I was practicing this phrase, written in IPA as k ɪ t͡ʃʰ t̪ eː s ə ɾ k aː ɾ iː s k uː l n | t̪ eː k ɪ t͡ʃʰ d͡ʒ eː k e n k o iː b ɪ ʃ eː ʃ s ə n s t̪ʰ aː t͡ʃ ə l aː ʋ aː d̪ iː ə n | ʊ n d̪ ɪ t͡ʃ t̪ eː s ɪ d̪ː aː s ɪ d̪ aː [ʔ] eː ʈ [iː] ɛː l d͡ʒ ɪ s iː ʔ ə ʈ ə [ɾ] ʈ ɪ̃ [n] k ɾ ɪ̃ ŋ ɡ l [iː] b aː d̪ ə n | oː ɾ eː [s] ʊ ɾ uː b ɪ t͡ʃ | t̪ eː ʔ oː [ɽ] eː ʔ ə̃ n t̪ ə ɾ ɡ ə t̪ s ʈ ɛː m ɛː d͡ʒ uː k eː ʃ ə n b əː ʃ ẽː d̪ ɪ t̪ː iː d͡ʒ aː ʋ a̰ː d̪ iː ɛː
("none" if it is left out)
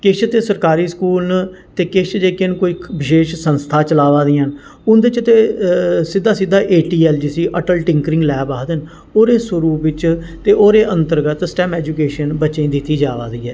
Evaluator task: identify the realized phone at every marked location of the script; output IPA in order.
ʔ, iː, l, ŋ, ɛː, s, ɾ

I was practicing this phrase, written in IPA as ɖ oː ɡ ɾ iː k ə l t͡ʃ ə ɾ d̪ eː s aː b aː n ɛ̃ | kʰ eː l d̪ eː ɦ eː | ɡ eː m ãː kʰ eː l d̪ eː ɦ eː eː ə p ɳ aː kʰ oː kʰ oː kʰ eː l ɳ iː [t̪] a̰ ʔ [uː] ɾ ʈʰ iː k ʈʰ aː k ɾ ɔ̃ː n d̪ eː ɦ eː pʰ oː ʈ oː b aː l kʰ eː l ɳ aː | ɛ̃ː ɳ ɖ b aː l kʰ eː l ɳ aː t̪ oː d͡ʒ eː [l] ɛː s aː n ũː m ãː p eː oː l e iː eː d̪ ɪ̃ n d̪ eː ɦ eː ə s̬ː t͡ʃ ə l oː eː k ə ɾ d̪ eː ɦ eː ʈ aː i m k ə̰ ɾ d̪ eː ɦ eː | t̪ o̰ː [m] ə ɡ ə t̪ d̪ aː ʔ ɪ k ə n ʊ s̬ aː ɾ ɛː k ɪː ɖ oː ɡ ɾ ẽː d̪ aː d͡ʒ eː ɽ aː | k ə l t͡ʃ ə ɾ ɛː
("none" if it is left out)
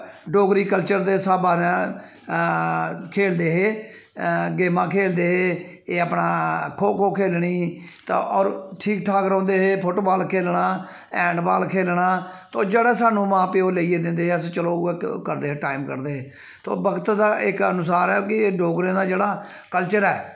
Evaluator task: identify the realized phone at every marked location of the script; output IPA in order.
t̪, ɔː, ɽ, b

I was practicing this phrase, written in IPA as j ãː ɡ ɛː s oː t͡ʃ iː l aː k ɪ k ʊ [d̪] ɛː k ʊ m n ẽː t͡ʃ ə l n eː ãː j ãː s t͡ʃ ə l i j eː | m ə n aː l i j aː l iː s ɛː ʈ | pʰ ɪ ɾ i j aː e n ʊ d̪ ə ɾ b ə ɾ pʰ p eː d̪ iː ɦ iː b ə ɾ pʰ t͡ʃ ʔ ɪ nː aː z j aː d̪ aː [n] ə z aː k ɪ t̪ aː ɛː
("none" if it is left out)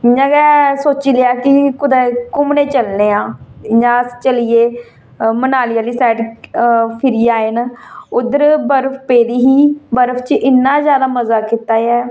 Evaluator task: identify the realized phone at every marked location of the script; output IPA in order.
d̪, m

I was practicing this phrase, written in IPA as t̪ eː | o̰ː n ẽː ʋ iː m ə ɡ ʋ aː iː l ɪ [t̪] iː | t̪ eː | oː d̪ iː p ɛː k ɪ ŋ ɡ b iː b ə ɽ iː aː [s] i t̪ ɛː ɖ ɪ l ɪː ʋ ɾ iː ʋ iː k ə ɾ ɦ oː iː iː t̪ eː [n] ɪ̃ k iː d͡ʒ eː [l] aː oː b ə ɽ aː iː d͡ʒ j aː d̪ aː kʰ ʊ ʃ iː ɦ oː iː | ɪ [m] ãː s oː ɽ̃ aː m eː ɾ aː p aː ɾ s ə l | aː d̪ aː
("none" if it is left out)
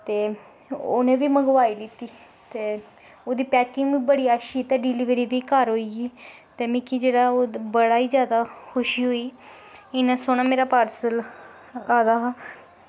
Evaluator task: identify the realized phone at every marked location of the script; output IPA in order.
t̪, ʃ, m, ɽ, n

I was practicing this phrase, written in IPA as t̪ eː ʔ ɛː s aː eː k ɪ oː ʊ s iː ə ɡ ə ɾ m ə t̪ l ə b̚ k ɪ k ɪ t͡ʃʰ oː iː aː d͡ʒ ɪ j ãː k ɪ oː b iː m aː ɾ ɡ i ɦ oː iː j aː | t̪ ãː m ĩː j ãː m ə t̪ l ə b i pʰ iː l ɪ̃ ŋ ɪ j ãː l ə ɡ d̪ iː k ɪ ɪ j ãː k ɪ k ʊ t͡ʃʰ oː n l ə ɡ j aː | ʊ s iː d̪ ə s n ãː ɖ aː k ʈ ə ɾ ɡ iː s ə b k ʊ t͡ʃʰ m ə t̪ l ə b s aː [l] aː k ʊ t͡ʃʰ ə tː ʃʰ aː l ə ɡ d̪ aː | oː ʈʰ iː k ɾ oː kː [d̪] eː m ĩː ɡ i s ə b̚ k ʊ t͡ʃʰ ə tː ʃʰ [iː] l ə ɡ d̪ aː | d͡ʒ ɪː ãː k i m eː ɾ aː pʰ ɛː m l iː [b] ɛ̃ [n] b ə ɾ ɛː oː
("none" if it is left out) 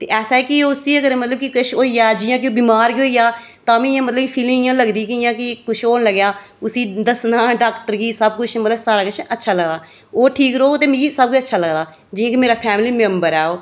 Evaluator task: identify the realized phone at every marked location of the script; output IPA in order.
ɾ, t̪, aː, m, m

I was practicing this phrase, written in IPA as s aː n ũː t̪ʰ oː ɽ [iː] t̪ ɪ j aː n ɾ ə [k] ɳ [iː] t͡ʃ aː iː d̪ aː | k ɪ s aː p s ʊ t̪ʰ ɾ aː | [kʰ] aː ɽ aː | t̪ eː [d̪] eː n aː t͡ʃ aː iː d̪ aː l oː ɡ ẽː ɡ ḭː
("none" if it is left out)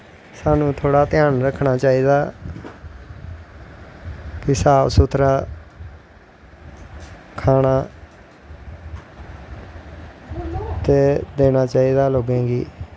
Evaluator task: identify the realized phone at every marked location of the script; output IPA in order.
aː, kʰ, aː, kʰ, d̪

